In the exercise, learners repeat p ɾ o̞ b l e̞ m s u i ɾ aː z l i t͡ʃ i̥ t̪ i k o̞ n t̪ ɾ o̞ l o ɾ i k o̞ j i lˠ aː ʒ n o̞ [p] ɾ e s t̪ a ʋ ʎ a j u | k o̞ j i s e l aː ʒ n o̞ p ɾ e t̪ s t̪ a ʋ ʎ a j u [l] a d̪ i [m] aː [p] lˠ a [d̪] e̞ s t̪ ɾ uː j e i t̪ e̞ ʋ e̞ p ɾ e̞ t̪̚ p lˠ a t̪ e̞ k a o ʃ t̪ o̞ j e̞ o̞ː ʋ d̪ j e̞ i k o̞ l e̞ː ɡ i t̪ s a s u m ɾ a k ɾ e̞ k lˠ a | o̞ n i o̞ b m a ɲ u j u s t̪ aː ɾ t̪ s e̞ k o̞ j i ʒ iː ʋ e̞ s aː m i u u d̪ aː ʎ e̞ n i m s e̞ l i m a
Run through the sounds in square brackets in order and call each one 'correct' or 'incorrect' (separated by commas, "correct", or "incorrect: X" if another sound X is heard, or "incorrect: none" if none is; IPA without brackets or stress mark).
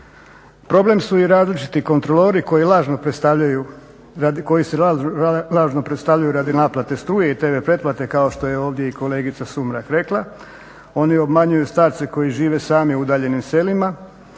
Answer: correct, incorrect: ɾ, incorrect: n, correct, incorrect: t̪